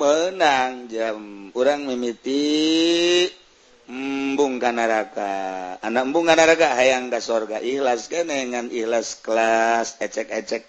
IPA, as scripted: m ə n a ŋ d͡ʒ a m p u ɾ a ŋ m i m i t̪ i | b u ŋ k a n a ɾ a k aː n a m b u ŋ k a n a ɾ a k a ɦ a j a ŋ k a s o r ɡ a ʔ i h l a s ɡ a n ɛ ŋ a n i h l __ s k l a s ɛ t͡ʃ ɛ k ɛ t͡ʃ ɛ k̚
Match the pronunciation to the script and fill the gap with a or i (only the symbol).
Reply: a